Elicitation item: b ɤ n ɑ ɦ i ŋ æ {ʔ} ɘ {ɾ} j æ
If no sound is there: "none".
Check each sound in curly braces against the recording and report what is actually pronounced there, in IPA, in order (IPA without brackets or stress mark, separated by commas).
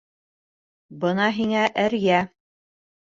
ʔ, ɾ